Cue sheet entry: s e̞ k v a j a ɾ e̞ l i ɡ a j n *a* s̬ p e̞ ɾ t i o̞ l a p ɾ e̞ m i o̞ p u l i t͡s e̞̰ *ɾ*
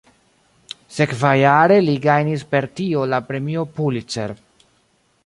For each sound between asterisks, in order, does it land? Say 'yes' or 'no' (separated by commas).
no, yes